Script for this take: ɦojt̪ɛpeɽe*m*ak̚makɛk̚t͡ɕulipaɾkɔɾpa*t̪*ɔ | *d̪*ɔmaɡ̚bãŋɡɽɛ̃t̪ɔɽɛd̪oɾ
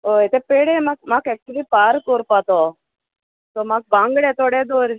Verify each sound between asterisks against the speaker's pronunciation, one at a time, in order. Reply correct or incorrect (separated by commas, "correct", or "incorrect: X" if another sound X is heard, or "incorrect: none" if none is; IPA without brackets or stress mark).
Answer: correct, correct, incorrect: t̪